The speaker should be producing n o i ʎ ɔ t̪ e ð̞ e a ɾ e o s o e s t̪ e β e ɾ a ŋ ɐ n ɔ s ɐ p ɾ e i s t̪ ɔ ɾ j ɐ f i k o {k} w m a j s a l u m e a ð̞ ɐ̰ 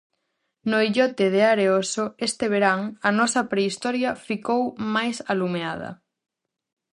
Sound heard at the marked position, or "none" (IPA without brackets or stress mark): none